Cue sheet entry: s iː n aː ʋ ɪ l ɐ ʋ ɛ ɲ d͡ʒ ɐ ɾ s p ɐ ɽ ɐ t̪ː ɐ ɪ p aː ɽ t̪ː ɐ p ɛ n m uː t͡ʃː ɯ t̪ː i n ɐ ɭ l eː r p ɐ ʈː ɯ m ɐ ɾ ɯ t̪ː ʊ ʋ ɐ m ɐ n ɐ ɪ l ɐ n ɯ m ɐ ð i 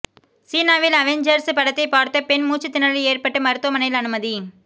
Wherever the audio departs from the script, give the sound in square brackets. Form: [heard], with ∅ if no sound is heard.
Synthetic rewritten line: s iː n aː ʋ ɪ l ɐ ʋ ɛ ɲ d͡ʒ ɐ ɾ s p ɐ ɽ ɐ t̪ː ɐ ɪ p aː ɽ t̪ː ɐ p ɛ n m uː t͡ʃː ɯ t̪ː [ɪ] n ɐ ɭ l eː r p ɐ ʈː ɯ m ɐ ɾ ɯ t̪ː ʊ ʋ ɐ m ɐ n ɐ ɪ l ɐ n ɯ m ɐ ð i

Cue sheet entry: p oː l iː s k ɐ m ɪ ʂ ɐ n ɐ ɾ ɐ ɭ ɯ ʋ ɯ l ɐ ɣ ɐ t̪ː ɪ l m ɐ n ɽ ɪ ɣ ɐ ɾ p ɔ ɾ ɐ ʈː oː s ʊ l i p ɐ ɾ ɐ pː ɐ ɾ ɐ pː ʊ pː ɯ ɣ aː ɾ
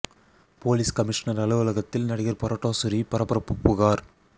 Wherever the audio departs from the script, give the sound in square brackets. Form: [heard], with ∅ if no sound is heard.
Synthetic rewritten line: p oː l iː s k ɐ m ɪ ʂ ɐ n ɐ ɾ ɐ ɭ ɯ ʋ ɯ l ɐ ɣ ɐ t̪ː ɪ l [n] ɐ [∅] ɽ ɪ ɣ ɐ ɾ p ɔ ɾ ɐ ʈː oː s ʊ [ɾ] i p ɐ ɾ ɐ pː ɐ ɾ ɐ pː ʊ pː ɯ ɣ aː ɾ

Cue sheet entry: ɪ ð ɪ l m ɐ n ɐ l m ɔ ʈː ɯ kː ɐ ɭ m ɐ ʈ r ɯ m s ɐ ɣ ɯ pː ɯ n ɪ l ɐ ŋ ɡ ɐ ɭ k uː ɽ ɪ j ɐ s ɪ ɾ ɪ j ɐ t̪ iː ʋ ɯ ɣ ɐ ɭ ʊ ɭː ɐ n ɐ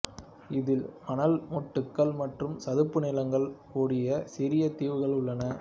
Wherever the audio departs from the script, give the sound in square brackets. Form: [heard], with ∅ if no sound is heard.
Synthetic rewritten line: ɪ ð ɪ l m ɐ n ɐ l m ɔ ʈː ɯ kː ɐ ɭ m ɐ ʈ r ɯ m s ɐ [ð] ɯ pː ɯ n ɪ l ɐ ŋ ɡ ɐ ɭ k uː ɽ ɪ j ɐ s ɪ ɾ ɪ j ɐ t̪ iː ʋ ɯ ɣ ɐ ɭ ʊ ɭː ɐ n ɐ

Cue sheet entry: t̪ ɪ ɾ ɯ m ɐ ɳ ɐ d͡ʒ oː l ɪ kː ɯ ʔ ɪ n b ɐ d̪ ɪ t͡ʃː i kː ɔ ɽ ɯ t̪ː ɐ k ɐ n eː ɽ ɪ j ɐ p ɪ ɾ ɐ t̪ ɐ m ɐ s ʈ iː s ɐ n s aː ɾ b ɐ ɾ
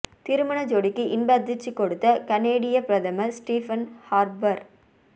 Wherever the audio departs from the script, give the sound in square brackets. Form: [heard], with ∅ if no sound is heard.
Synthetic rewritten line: t̪ ɪ ɾ ɯ m ɐ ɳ ɐ d͡ʒ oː [ɽ] ɪ kː ɯ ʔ ɪ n b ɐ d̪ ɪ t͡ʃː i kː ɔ ɽ ɯ t̪ː ɐ k ɐ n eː ɽ ɪ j ɐ p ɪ ɾ ɐ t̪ ɐ m ɐ s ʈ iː [f] ɐ n [h] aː ɾ b ɐ ɾ

